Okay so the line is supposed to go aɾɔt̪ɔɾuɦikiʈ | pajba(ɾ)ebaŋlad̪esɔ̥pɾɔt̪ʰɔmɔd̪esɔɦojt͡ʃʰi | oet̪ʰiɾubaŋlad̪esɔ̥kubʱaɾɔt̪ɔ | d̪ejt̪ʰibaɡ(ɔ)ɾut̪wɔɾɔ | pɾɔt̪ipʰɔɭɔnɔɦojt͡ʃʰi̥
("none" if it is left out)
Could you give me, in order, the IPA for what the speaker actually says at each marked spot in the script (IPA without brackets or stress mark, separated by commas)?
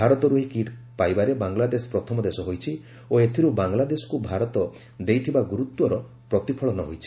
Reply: ɾ, u